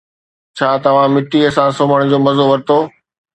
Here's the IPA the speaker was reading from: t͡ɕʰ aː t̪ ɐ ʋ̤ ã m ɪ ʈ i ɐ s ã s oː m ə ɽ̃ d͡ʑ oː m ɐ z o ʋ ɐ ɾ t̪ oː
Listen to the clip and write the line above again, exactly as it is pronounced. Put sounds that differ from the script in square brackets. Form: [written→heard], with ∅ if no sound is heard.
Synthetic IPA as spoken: t͡ɕʰ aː t̪ ɐ ʋ̤ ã m ɪ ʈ i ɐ s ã s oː m ə ɽ̃ d͡ʑ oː m ɐ z o ʋ ɐ ɾ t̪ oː